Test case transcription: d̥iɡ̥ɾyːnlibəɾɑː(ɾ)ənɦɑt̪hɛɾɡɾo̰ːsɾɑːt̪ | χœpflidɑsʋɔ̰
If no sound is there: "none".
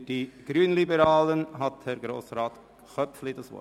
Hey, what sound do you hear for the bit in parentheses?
l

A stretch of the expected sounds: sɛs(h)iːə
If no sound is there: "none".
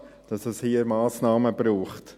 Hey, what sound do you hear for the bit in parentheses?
h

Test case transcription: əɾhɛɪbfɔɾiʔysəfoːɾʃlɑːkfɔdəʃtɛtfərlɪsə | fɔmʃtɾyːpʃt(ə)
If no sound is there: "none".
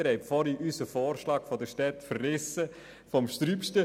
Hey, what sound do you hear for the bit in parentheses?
ə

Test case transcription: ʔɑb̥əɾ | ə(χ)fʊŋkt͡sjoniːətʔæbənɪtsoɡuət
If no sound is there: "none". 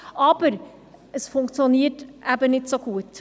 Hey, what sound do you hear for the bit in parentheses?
s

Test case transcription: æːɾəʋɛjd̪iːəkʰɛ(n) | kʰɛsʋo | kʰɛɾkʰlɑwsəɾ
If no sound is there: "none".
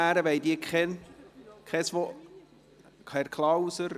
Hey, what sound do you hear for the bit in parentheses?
n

